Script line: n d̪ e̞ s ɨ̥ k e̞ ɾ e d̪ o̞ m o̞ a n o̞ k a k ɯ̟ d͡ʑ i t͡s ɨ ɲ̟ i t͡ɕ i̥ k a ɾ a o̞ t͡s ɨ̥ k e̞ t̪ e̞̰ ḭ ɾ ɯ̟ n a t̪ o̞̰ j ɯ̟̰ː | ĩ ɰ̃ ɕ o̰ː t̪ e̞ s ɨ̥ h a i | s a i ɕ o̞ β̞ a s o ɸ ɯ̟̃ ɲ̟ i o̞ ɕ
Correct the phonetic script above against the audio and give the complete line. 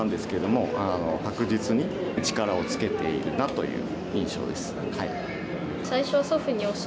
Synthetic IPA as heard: n d̪ e̞ s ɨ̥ k e̞ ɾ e d̪ o̞ m o̞ a n o̞ k a k ɯ̟ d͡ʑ i t͡s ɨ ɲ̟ i t͡ɕ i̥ k a ɾ a o̞ t͡s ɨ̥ k e̞ t̪ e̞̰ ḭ ɾ ɯ̟ n a t̪ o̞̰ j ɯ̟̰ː | ĩ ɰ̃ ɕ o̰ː d̪ e̞ s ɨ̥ h a i | s a i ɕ o̞ β̞ a s o ɸ ɯ̟ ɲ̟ i o̞ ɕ